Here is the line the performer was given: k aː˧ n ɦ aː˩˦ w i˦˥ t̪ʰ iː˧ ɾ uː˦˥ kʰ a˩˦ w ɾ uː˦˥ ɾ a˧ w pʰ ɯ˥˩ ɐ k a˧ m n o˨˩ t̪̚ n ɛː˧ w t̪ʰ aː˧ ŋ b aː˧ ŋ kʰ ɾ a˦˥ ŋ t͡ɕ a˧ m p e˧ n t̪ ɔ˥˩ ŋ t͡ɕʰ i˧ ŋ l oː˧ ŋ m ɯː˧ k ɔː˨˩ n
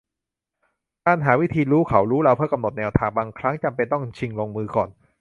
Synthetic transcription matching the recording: k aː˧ n ɦ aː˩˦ w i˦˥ t̪ʰ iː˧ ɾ uː˦˥ kʰ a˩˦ w ɾ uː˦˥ ɾ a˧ w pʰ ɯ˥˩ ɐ k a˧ m n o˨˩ t̪̚ n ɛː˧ w t̪ʰ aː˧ ŋ b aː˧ ŋ kʰ ɾ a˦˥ ŋ t͡ɕ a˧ m p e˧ n t̪ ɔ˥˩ ŋ t͡ɕʰ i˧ ŋ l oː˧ ŋ m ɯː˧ k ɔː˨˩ n